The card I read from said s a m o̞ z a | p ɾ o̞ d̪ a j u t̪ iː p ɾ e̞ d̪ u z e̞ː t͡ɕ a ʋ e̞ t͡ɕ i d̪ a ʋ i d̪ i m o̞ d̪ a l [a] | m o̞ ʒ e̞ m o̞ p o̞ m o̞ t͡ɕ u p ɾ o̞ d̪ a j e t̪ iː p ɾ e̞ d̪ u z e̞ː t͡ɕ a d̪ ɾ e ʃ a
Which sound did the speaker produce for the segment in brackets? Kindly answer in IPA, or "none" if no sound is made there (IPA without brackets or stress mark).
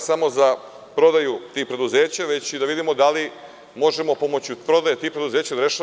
i